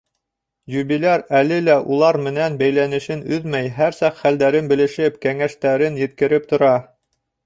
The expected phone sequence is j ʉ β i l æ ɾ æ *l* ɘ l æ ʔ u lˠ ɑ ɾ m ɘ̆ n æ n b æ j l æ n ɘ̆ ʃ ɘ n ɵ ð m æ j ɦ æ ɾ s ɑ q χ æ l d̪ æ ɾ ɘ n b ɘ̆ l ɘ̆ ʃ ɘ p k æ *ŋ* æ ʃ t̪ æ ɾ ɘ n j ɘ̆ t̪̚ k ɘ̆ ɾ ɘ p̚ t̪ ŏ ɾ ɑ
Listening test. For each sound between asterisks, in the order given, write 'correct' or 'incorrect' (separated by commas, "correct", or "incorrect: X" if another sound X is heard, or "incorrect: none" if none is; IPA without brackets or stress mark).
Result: correct, correct